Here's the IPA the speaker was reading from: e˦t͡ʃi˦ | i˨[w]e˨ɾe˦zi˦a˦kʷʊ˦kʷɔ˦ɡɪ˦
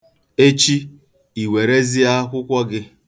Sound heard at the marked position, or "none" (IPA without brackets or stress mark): w